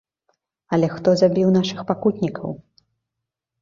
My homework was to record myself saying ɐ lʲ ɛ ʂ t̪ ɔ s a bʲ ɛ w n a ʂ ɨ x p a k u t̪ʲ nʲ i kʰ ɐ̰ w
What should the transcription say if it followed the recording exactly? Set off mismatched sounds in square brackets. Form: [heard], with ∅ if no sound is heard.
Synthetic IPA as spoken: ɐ lʲ ɛ [x] t̪ ɔ [z] a bʲ [i] w n a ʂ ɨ x p a k u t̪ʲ nʲ i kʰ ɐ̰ w